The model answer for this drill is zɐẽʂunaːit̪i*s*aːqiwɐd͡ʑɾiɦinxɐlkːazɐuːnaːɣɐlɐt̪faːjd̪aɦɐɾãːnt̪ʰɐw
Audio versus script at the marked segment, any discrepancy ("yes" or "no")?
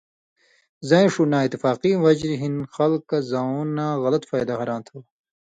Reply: yes